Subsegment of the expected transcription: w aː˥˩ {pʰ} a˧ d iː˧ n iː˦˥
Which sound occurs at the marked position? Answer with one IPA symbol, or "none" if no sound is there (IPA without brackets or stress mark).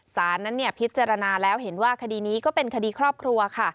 kʰ